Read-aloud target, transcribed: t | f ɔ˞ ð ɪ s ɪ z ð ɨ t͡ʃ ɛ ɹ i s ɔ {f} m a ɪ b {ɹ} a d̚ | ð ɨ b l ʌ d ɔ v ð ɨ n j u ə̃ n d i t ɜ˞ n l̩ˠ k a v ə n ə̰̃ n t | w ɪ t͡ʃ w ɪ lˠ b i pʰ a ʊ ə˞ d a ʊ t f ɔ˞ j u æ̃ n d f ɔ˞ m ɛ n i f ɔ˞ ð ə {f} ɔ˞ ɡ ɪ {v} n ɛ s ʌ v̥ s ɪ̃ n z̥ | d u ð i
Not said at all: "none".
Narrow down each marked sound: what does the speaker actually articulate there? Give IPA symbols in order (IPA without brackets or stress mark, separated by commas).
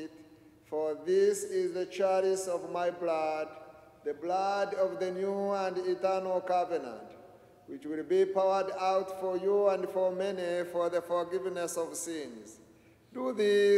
v, l, f, v